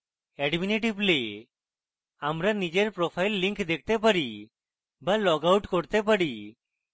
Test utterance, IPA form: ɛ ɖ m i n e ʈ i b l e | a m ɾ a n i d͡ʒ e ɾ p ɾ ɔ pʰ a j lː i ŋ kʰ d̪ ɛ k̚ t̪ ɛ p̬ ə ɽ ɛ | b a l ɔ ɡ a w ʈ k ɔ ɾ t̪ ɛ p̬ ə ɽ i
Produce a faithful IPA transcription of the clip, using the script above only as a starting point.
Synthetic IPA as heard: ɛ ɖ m i n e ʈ i b l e | a m ɾ a n i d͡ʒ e ɾ p ɾ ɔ pʰ a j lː i ŋ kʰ d̪ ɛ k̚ t̪ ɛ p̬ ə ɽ i | b a l ɔ ɡ a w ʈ k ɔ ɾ t̪ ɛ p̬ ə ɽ i